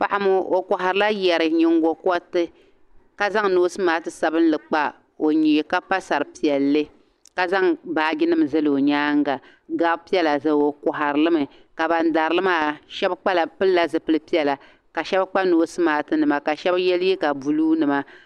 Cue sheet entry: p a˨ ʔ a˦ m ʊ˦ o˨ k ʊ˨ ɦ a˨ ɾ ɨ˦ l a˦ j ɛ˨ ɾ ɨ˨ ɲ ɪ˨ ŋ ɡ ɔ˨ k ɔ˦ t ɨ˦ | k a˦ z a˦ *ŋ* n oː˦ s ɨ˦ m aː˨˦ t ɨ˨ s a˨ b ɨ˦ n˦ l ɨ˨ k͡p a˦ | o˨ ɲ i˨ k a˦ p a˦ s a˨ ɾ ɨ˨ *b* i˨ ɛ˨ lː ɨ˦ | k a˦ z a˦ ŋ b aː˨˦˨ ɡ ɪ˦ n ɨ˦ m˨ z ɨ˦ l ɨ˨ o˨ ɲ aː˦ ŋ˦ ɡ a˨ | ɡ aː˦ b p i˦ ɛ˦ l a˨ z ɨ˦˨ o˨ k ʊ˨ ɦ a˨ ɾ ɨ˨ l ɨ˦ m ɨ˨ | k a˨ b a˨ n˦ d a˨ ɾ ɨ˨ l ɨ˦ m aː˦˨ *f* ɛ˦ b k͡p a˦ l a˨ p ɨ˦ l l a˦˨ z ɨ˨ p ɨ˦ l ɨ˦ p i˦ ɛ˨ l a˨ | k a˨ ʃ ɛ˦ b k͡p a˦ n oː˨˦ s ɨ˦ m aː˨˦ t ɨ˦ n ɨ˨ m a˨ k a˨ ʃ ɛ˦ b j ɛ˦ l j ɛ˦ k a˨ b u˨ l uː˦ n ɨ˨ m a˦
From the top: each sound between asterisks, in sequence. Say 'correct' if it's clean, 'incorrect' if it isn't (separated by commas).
correct, incorrect, incorrect